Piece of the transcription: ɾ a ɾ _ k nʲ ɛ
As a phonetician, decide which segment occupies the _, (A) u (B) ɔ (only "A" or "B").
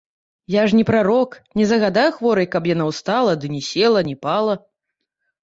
B